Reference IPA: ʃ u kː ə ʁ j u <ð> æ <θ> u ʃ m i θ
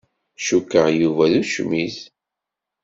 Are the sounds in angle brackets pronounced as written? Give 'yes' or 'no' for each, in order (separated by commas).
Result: no, no